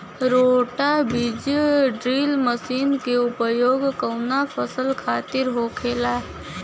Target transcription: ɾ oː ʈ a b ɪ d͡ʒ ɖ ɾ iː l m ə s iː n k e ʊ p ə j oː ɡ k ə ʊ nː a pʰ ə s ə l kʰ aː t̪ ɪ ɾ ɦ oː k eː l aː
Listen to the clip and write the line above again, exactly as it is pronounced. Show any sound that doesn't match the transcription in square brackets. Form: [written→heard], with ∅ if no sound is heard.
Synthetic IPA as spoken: ɾ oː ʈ a b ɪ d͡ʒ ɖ ɾ iː l m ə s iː n k e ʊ p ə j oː ɡ k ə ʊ [nː→n] a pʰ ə s ə l kʰ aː t̪ ɪ ɾ ɦ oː [k→kʰ] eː l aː